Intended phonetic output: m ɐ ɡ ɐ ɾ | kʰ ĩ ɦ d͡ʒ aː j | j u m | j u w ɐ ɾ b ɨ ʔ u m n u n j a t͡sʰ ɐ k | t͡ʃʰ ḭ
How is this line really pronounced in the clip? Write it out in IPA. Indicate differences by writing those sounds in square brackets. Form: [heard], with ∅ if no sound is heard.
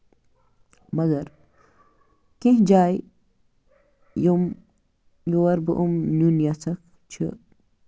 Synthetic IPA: m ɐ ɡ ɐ ɾ | [k] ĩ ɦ d͡ʒ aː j | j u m | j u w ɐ ɾ b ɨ ʔ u m n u n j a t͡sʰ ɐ k | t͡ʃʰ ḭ